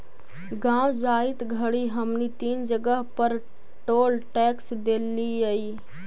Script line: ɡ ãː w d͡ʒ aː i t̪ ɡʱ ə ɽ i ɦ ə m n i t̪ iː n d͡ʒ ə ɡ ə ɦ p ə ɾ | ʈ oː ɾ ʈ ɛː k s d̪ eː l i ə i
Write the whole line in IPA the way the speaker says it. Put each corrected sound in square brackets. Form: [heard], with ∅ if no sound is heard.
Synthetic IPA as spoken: ɡ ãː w d͡ʒ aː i t̪ ɡʱ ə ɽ i ɦ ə m n i t̪ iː n d͡ʒ ə ɡ ə ɦ p ə ɾ | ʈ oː [l] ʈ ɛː k s d̪ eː l i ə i